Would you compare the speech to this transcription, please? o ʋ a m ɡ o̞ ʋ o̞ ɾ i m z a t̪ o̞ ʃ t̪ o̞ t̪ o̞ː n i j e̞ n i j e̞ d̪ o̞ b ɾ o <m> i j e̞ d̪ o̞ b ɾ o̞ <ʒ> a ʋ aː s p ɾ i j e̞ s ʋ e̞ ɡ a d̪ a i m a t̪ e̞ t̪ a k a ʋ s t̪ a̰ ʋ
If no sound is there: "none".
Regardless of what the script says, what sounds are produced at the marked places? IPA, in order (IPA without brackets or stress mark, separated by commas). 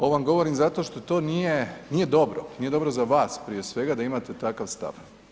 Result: n, z